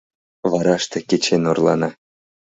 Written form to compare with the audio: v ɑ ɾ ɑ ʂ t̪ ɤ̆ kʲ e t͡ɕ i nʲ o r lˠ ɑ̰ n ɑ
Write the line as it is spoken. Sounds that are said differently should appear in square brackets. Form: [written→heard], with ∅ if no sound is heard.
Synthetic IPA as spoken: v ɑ ɾ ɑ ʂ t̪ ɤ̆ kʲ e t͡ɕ [i→e] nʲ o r lˠ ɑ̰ n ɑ

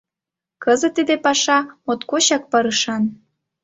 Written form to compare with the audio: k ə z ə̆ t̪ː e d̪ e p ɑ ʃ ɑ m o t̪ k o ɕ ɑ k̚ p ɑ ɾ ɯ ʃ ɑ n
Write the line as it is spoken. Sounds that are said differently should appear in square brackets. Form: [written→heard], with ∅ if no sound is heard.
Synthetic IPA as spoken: k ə z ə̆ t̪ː [e→i] d̪ e p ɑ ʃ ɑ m o t̪ k o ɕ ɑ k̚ p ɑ ɾ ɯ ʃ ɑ n

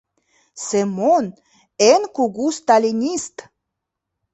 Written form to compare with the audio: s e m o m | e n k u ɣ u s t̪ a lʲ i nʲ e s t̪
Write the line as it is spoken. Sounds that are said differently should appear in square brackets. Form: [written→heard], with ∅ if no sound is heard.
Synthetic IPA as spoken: s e m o [m→n] | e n k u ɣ u s t̪ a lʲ i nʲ [e→i] s t̪

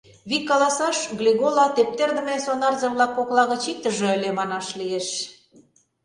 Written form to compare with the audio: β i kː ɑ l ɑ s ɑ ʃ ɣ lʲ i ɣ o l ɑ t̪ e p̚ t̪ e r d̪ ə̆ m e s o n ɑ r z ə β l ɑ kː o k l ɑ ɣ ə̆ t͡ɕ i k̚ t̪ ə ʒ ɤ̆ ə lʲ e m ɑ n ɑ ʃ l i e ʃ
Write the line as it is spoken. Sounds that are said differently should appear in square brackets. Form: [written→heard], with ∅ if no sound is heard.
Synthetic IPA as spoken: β i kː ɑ l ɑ s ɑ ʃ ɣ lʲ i ɣ o l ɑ t̪ e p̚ t̪ e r d̪ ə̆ m e s o n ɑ r z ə β l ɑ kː o k l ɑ ɣ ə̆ t͡ɕ i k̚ t̪ ə ʒ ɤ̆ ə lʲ e m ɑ n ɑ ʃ l i e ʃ

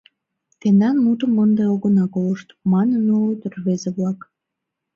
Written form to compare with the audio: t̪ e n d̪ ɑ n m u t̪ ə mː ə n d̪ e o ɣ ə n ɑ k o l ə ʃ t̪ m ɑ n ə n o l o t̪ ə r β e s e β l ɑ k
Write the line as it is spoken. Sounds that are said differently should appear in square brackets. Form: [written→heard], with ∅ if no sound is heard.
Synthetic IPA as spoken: t̪ e n d̪ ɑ n m u t̪ ə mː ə n d̪ e o ɣ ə n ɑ k o l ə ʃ t̪ m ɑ n ə n o l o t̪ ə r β e [s→z] e β l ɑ k

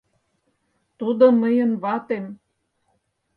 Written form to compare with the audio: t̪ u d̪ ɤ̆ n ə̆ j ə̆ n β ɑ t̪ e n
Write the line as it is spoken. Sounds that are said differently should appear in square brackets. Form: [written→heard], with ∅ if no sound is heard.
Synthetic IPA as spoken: t̪ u d̪ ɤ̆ [n→m] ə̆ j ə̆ n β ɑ t̪ e [n→m]

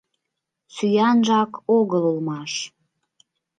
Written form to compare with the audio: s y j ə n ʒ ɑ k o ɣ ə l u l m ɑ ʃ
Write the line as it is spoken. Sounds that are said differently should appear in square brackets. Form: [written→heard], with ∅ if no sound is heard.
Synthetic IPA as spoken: s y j [ə→ɑ] n ʒ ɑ k o ɣ ə l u l m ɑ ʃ

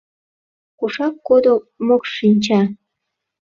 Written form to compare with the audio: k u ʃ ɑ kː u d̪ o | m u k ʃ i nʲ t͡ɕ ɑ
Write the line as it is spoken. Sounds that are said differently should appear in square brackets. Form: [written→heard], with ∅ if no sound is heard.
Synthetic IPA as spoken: k u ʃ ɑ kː [u→o] d̪ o | m [u→o] k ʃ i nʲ t͡ɕ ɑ

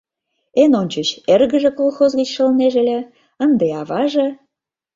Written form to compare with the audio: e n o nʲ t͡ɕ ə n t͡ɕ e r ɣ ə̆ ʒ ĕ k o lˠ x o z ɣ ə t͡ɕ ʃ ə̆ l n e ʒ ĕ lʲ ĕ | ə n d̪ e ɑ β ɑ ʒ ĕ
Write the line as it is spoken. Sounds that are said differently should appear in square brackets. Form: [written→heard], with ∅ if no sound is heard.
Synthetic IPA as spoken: e n o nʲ t͡ɕ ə [n→∅] t͡ɕ e r ɣ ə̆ ʒ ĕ k o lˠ x o z ɣ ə t͡ɕ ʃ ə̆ l n e ʒ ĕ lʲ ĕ | ə n d̪ e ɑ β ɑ ʒ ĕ

